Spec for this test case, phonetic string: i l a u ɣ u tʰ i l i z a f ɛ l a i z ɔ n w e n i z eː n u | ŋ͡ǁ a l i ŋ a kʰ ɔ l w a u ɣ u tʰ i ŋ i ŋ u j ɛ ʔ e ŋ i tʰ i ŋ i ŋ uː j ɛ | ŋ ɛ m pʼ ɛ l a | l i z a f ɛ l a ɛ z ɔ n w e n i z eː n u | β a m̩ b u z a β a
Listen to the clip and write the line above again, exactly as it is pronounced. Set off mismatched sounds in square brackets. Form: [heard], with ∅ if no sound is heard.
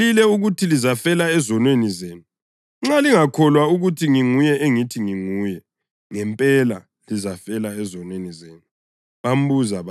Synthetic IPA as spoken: i l [ɛ] u ɣ u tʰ i l i z a f ɛ l a [ɛ] z ɔ n w e n i z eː n u | ŋ͡ǁ a l i ŋ a kʰ ɔ l w a u ɣ u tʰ i ŋ i ŋ u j ɛ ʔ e ŋ i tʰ i ŋ i ŋ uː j ɛ | ŋ ɛ m pʼ ɛ l a | l i z a f ɛ l a ɛ z ɔ n w e n i z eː n u | β a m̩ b u z a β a